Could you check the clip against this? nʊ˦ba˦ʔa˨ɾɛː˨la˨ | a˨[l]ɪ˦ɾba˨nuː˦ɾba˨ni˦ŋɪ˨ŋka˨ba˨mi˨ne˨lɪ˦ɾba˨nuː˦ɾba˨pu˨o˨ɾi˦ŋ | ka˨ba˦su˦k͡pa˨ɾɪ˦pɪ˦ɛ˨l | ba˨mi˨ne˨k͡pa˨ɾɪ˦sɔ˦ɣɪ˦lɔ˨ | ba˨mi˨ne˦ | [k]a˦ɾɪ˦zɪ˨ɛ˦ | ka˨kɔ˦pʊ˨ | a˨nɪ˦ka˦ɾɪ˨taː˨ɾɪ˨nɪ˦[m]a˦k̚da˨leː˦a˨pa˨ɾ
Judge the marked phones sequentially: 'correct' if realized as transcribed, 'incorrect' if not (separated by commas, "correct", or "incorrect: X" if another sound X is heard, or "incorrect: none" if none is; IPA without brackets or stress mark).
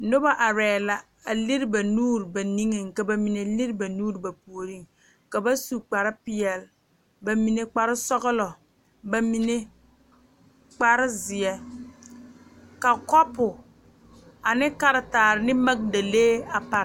correct, incorrect: k͡p, correct